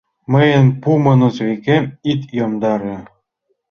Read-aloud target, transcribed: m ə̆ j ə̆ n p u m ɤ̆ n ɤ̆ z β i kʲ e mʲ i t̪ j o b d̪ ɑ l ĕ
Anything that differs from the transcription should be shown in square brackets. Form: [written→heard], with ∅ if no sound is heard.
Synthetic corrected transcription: m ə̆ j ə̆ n p u m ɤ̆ n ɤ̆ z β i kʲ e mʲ i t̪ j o [b→m] d̪ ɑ [l→ɾ] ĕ